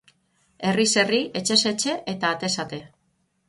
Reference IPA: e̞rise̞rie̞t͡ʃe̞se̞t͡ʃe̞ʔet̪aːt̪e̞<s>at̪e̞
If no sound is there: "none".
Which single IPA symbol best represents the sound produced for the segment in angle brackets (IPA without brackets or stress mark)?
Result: s